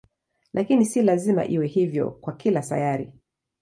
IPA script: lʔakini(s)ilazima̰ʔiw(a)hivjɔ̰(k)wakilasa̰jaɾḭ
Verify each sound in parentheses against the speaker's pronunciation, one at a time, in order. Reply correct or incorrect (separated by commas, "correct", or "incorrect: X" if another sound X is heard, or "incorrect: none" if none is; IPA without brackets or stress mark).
correct, incorrect: ɛ, correct